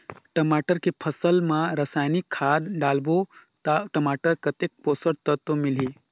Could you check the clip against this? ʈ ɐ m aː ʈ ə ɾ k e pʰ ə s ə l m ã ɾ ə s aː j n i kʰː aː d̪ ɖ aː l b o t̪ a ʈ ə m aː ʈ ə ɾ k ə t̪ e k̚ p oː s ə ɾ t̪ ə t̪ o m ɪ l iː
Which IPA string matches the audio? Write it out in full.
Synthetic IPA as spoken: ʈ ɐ m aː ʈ ə ɾ k e pʰ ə s ə l m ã ɾ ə s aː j n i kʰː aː d̪ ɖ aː l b o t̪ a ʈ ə m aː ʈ ə ɾ k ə t̪ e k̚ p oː s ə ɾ t̪ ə t̪ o m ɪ l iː